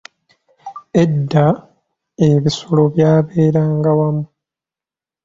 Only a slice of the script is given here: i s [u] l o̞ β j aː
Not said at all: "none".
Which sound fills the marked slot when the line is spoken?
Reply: o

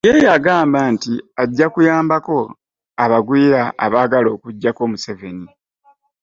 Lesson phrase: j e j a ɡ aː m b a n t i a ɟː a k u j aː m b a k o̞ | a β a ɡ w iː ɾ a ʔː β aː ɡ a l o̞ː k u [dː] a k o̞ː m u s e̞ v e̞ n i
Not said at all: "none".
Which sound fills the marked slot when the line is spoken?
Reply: ɟː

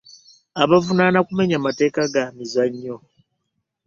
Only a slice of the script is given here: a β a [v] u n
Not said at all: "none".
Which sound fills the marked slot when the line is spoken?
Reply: v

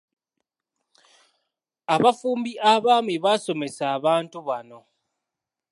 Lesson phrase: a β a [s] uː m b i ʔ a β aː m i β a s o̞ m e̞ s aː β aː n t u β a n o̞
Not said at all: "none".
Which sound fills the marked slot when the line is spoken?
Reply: f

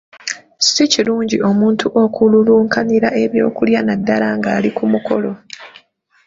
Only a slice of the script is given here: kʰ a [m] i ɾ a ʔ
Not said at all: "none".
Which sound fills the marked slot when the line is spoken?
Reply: n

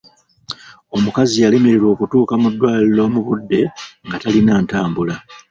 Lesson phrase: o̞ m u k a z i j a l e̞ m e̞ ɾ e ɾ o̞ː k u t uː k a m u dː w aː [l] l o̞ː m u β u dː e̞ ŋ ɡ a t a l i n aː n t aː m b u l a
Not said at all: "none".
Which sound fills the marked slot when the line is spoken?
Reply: l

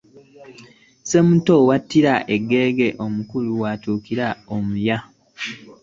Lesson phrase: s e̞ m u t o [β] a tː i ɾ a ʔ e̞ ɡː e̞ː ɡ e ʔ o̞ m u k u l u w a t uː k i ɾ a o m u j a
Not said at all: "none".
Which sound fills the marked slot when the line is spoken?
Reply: w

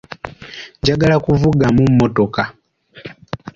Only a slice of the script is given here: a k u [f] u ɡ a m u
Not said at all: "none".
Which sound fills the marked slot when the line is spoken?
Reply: v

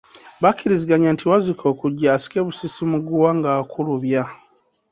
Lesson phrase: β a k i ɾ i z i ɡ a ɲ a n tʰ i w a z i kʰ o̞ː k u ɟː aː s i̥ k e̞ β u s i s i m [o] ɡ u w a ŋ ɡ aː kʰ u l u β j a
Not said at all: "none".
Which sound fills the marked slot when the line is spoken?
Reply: u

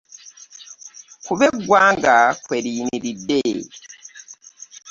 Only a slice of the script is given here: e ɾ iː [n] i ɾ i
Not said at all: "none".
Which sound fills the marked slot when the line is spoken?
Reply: n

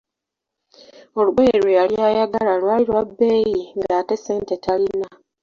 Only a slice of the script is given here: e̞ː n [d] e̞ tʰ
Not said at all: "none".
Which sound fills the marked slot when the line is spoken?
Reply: t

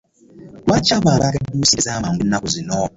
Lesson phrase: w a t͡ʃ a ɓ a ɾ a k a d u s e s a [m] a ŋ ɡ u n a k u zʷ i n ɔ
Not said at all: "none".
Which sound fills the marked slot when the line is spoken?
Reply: m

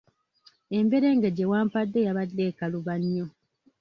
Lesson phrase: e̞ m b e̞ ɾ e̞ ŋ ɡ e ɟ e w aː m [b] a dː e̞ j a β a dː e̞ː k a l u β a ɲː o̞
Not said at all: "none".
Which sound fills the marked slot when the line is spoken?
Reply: p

